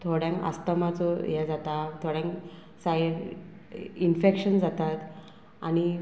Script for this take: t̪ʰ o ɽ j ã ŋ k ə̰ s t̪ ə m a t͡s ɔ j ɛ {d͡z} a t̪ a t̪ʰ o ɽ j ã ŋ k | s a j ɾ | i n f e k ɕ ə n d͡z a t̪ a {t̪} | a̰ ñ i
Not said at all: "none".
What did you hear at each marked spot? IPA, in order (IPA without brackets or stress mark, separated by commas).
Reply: d͡z, t̪